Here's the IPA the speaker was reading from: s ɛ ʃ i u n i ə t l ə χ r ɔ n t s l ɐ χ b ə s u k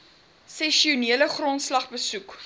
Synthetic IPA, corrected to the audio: s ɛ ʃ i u n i ə l ə χ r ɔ n t s l ɐ χ b ə s u k